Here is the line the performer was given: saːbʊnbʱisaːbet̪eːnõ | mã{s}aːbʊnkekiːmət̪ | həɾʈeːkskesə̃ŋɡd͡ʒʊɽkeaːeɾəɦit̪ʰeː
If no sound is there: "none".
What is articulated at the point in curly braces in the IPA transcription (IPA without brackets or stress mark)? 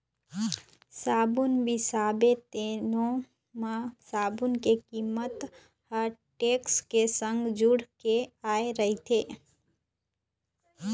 s